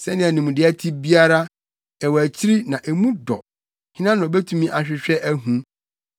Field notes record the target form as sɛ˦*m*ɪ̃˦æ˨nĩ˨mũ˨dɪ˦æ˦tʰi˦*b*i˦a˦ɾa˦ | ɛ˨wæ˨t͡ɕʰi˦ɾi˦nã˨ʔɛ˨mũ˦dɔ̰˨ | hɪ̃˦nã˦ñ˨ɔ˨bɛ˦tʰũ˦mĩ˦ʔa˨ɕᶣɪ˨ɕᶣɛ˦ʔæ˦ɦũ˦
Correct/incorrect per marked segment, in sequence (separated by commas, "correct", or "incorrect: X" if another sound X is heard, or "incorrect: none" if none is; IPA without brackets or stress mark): incorrect: n, correct